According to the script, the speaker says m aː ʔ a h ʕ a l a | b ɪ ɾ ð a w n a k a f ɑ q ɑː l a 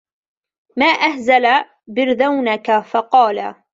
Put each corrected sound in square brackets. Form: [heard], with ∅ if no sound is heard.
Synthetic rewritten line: m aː ʔ a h [z] a l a | b ɪ ɾ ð a w n a k a f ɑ q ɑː l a